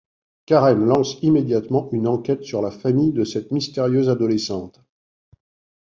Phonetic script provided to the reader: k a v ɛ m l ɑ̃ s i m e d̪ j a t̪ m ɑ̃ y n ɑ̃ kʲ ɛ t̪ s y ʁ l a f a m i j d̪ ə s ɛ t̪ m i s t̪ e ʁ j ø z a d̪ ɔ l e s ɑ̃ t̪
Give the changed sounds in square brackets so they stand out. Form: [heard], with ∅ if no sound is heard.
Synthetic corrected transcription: k a [ʁ] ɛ m l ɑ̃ s i m e d̪ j a t̪ m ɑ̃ y n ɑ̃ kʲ ɛ t̪ s y ʁ l a f a m i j d̪ ə s ɛ t̪ m i s t̪ e ʁ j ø z a d̪ ɔ l e s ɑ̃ t̪